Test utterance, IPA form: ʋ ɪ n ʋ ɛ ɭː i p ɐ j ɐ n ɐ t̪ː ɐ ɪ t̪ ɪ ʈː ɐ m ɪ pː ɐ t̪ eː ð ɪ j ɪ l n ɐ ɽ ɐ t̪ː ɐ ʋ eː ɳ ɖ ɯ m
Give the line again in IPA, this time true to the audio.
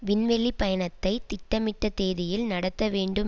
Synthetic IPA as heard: ʋ ɪ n ʋ ɛ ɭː i p ɐ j ɐ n ɐ t̪ː ɐ ɪ t̪ ɪ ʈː ɐ m ɪ ʈː ɐ t̪ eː ð ɪ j ɪ l n ɐ ɽ ɐ t̪ː ɐ ʋ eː ɳ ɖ ɯ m